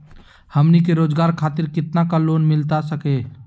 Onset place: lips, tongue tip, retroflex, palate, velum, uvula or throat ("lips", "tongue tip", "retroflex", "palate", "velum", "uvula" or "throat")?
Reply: throat